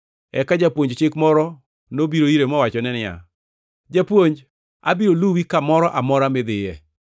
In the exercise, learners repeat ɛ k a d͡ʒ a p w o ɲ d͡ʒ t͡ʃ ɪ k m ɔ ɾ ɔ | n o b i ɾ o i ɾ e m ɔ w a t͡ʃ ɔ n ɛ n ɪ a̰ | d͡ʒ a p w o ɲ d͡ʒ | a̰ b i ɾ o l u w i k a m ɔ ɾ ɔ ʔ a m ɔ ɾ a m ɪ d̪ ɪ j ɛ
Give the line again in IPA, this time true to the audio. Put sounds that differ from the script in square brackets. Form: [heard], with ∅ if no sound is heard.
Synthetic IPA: ɛ k a d͡ʒ a p w o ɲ d͡ʒ t͡ʃ ɪ k m ɔ ɾ ɔ | n o b i ɾ o i ɾ e m ɔ w a t͡ʃ ɔ n ɛ n ɪ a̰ | d͡ʒ a p w o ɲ d͡ʒ | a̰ b i ɾ o l u w i k a m ɔ ɾ ɔ ʔ a m ɔ ɾ a m ɪ d̪ ɪ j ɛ